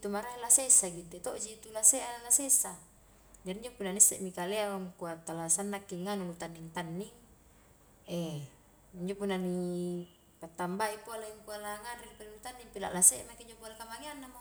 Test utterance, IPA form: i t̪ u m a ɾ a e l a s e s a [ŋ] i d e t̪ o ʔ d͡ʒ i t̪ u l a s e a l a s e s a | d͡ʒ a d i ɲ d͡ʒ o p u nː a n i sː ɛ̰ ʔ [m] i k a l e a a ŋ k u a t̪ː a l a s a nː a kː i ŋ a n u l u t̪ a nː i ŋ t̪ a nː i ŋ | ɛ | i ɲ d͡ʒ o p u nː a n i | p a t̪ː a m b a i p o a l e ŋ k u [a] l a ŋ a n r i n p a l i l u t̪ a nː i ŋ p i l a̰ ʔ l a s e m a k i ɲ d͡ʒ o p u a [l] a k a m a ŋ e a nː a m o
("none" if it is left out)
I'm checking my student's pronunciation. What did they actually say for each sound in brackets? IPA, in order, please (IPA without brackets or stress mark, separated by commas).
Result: ɡ, m, a, l